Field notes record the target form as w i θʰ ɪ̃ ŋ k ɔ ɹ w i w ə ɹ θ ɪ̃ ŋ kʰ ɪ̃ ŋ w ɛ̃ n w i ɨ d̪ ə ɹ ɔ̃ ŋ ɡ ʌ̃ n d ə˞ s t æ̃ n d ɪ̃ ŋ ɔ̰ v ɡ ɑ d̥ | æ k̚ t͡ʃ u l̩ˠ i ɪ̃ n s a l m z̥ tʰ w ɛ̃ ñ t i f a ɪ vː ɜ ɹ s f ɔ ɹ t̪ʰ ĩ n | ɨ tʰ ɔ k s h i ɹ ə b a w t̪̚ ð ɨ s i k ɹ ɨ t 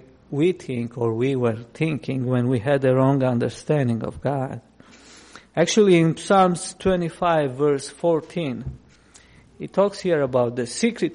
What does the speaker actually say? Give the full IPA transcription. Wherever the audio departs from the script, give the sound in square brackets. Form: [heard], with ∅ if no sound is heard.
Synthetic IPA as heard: w i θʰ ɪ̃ ŋ k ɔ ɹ w i w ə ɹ θ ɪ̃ ŋ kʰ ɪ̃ ŋ w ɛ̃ n w i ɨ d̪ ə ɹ ɔ̃ ŋ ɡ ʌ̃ n d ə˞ s t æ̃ n d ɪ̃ ŋ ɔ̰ v ɡ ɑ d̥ | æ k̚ t͡ʃ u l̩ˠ i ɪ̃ n s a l m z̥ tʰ w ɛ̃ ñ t i f a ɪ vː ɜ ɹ s f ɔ ɹ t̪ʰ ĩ n | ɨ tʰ ɔ k s h i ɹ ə b a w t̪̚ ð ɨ s i k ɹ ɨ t